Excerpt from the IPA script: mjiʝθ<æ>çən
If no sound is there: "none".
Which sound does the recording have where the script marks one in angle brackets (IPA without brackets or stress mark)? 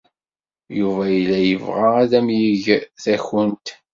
æ